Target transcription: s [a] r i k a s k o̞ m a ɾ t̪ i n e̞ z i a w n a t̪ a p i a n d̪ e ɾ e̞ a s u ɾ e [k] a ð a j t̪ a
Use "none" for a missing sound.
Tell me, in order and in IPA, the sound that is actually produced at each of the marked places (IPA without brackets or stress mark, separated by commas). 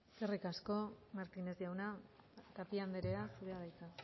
e, none